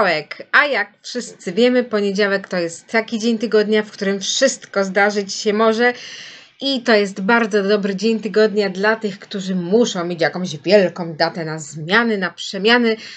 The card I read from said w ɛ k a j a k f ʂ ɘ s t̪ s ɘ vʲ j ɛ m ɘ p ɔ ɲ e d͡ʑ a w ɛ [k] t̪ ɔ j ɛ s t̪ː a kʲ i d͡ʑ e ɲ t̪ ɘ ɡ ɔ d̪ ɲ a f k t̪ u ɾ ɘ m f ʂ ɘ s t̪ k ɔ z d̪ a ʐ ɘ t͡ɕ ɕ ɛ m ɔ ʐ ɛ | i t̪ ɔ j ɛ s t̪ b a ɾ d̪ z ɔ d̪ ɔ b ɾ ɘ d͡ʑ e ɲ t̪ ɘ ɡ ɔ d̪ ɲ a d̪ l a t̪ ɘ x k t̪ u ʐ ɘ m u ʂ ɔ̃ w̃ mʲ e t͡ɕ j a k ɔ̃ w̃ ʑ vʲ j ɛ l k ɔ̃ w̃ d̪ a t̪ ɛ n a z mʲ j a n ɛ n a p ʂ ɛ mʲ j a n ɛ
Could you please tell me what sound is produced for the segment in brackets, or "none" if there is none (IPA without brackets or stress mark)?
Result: k